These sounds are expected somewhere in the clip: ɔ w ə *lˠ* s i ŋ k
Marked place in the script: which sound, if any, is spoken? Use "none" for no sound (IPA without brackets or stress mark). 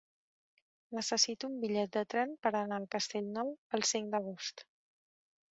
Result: lˠ